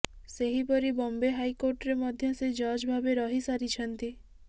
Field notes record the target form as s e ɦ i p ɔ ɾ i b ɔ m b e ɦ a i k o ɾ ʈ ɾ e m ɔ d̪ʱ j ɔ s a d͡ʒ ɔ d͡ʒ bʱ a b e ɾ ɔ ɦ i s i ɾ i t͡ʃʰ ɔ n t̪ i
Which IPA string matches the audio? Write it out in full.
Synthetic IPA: s e ɦ i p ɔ ɾ i b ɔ m b e ɦ a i k o ɾ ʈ ɾ e m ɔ d̪ʱ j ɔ s e d͡ʒ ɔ d͡ʒ bʱ a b e ɾ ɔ ɦ i s a ɾ i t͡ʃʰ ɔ n t̪ i